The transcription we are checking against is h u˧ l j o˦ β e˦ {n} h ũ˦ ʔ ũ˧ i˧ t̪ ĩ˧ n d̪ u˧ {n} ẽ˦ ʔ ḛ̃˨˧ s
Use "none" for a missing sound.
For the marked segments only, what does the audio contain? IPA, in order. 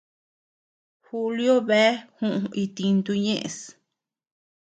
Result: none, ɲ

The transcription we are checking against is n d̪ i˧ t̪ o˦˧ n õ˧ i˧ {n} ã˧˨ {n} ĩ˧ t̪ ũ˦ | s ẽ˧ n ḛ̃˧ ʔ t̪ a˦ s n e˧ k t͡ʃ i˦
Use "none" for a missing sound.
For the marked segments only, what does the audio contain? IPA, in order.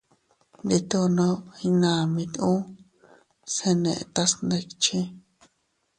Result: n, m

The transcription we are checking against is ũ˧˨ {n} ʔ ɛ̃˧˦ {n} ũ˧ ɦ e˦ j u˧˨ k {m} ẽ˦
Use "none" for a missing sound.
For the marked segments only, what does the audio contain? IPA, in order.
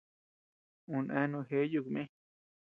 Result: n, n, m

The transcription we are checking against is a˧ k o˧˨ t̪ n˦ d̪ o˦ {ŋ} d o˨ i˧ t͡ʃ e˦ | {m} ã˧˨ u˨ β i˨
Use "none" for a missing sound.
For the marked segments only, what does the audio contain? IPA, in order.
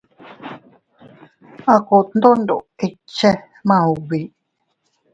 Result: n, m

